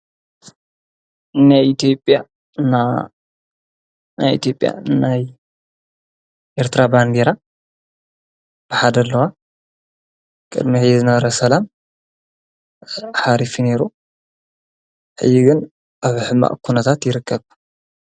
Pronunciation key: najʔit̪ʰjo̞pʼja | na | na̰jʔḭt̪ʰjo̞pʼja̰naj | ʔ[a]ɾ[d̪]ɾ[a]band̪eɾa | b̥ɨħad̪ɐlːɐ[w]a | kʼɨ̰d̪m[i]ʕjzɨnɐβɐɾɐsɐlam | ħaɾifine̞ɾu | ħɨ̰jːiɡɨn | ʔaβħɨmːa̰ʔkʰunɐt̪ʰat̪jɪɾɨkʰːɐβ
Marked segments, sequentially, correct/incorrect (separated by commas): incorrect, incorrect, correct, correct, correct